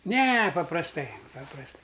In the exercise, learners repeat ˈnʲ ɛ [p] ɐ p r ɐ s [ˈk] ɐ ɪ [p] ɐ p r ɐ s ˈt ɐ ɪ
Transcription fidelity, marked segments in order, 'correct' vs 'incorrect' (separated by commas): correct, incorrect, correct